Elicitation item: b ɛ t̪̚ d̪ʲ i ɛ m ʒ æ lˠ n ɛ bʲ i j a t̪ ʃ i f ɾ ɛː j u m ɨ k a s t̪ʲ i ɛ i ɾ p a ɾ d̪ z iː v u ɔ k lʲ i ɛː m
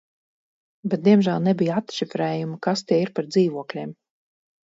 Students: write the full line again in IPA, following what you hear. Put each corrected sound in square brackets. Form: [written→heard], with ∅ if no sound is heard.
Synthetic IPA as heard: b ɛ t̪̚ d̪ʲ i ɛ m ʒ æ lˠ n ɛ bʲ i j a t̪ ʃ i f ɾ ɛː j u m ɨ k a s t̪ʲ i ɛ i ɾ p a ɾ d̪ z iː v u ɔ k lʲ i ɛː m